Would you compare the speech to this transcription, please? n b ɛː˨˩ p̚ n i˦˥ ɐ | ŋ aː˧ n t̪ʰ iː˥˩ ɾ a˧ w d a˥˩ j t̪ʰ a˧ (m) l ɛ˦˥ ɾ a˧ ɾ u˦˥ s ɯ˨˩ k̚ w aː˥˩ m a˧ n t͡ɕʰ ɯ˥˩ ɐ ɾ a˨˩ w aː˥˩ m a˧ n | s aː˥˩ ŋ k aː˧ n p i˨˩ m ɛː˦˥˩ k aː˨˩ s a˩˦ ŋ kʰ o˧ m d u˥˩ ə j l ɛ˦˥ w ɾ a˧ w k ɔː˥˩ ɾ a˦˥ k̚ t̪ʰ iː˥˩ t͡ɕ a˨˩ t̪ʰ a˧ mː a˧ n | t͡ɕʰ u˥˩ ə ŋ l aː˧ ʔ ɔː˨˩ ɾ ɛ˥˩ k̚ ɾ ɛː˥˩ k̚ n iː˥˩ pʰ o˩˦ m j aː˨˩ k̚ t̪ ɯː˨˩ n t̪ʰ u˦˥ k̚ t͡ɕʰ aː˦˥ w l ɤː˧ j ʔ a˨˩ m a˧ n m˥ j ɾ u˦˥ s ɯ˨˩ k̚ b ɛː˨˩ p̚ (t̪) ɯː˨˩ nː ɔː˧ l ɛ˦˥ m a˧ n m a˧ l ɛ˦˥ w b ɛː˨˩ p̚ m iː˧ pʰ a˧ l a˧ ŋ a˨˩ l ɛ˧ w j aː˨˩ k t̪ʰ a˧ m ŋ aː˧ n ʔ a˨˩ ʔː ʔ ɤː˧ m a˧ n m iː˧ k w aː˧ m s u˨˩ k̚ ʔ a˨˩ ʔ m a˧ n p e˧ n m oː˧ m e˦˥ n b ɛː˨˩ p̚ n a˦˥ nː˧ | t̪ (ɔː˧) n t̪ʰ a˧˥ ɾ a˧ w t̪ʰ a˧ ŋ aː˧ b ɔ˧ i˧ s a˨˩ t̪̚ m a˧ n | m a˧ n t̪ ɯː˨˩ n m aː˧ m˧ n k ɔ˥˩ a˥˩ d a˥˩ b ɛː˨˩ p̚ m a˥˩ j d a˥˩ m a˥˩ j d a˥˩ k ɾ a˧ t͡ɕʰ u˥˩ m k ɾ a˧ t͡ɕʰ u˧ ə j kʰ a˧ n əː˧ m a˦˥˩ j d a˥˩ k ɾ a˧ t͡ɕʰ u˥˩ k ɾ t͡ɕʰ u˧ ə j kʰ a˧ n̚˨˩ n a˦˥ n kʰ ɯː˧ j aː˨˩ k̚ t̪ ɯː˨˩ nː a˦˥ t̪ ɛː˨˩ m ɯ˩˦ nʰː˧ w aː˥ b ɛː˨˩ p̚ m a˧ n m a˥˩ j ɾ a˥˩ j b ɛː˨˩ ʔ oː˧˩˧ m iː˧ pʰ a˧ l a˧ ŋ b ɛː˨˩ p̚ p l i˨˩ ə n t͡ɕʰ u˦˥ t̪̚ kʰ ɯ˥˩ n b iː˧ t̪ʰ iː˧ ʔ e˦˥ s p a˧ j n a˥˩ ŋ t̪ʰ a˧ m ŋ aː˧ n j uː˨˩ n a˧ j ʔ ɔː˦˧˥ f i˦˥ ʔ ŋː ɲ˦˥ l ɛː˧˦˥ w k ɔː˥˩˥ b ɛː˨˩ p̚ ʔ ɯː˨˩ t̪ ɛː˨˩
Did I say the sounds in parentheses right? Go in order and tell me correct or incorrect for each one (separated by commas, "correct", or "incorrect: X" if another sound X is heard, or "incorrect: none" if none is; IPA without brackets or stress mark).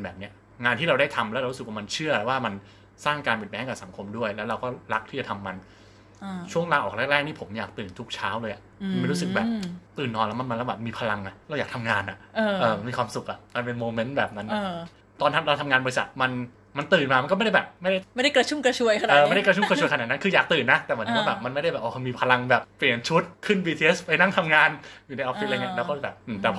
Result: correct, correct, correct